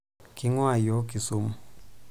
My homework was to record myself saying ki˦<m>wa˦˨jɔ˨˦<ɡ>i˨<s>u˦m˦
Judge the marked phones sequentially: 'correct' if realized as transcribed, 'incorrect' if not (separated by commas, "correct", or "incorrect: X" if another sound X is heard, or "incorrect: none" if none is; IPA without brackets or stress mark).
incorrect: ŋ, incorrect: k, correct